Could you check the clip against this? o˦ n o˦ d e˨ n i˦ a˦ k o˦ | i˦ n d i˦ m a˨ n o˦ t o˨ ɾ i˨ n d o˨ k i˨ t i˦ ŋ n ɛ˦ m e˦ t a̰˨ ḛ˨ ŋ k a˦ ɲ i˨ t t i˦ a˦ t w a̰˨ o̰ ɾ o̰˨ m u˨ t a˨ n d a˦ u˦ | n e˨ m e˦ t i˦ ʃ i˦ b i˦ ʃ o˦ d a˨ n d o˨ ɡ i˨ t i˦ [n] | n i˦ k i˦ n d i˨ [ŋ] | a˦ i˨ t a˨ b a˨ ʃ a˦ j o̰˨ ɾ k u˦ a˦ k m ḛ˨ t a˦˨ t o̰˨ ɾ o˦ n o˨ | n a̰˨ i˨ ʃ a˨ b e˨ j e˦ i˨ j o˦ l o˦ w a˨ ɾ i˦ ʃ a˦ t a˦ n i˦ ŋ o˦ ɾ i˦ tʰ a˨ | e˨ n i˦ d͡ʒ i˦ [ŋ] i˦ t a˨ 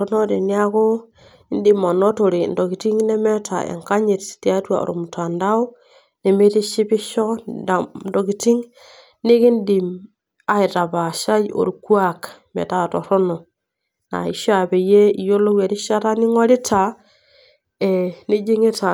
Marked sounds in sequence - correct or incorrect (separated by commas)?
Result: incorrect, incorrect, correct